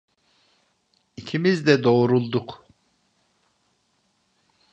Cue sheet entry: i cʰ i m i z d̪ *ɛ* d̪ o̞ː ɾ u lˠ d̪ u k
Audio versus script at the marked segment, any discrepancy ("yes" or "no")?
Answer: no